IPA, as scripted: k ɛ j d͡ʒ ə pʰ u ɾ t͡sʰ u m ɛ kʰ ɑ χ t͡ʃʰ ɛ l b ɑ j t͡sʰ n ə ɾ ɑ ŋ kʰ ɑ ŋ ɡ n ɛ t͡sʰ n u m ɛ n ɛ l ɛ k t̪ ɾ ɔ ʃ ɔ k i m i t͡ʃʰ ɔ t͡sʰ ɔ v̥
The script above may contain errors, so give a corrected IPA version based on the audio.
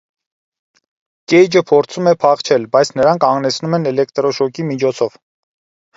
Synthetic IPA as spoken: k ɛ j d͡ʒ ə pʰ ɔ ɾ t͡sʰ u m ɛ pʰ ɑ χ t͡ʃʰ ɛ l b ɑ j t͡sʰ n ə ɾ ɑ ŋ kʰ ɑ ŋ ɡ n ɛ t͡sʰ n u m ɛ n ɛ l ɛ k t̪ ɾ ɔ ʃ ɔ k i m i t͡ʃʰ ɔ t͡sʰ ɔ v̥